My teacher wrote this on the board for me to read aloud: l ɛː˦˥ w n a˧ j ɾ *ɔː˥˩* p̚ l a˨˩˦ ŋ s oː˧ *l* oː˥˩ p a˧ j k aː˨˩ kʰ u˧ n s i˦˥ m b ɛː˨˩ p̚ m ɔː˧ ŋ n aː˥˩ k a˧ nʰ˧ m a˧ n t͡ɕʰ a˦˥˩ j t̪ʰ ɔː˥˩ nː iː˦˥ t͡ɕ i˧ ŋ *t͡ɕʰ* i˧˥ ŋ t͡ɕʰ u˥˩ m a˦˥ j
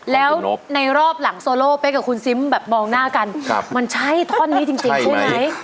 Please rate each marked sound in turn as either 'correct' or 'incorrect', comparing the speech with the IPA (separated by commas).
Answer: correct, correct, incorrect